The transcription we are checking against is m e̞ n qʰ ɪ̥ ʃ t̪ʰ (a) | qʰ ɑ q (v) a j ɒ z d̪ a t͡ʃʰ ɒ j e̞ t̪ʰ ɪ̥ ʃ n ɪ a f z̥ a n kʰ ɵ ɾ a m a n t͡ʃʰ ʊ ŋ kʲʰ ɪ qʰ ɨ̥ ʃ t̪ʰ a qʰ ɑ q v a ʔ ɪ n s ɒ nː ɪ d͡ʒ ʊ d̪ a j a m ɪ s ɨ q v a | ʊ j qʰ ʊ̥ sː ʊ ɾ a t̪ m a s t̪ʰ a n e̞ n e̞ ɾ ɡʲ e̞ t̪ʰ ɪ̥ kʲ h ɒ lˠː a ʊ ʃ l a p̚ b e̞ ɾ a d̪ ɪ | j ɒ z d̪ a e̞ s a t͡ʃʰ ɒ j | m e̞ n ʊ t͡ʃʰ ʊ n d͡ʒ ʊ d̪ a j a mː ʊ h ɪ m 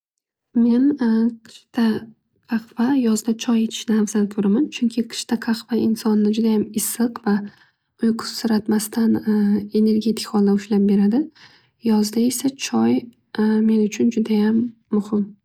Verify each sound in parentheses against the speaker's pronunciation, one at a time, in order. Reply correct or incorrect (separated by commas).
correct, correct